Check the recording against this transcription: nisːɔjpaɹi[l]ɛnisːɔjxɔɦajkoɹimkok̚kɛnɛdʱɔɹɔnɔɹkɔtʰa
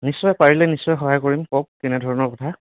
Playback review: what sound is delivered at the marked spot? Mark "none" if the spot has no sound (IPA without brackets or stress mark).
l